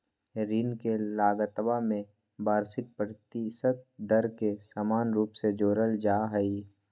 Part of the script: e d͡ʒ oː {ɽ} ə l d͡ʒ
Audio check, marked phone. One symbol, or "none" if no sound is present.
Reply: ɾ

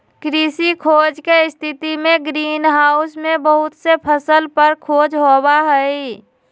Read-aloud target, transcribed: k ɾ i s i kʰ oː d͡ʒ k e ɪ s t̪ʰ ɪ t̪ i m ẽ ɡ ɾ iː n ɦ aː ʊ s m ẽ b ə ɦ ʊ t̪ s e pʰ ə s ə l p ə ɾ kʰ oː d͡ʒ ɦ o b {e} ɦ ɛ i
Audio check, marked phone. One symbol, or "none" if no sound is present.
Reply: a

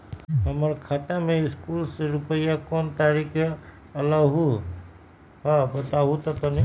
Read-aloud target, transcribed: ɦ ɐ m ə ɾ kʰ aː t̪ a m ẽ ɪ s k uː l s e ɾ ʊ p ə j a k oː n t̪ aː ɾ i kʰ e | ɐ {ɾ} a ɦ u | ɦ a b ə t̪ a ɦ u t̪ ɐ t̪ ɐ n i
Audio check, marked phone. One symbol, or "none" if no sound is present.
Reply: l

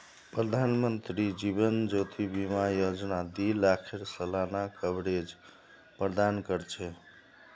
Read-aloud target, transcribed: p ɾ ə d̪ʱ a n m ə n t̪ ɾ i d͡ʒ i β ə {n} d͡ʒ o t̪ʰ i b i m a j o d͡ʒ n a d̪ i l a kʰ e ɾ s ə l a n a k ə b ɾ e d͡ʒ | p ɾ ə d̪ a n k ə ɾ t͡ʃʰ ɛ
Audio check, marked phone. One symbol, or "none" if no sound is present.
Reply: n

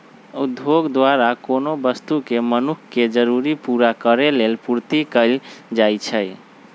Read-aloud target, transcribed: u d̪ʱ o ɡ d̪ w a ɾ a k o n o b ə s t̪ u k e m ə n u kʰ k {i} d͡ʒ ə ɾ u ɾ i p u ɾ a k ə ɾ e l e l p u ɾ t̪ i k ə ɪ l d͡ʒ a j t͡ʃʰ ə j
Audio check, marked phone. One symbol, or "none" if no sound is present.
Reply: e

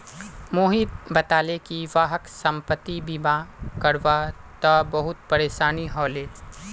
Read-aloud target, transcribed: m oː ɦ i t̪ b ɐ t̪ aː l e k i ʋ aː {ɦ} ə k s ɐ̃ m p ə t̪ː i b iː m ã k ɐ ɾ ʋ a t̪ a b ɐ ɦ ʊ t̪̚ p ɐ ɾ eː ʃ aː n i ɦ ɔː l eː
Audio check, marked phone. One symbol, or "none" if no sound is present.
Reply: ɦ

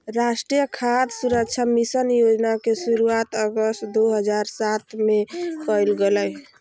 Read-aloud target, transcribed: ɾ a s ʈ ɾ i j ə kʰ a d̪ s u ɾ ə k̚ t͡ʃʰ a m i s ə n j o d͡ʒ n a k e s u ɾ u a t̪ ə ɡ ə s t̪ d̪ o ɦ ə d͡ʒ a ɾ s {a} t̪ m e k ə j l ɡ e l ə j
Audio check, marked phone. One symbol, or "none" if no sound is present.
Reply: a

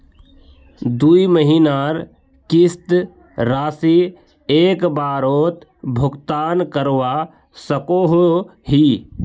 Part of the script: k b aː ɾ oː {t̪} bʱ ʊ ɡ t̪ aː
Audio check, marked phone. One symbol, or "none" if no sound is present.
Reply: t̪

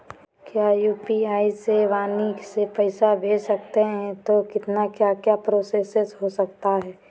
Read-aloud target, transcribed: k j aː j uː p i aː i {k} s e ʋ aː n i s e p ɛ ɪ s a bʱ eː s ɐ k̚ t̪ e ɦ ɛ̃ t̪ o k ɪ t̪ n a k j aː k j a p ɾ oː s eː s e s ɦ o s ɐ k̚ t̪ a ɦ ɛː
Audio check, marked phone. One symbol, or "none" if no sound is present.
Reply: none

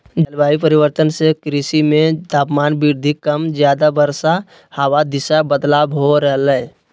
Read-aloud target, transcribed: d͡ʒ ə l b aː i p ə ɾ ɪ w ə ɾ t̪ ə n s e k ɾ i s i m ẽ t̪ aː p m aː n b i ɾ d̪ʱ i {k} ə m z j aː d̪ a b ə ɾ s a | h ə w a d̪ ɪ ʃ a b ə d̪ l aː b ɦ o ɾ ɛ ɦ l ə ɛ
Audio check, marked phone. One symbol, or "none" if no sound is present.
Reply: k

